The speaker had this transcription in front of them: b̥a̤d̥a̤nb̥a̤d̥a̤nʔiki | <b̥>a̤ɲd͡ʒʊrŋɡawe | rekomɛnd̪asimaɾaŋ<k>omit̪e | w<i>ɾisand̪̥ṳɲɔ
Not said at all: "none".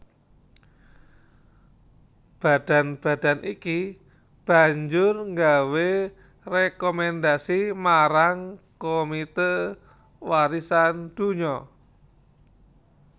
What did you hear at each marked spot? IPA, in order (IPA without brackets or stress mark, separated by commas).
b̥, k, a